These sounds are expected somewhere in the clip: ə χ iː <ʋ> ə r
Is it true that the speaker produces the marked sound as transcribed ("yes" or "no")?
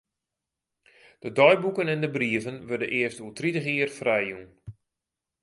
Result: no